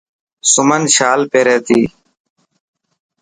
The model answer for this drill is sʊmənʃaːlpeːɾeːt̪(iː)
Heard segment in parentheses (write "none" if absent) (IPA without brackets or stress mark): iː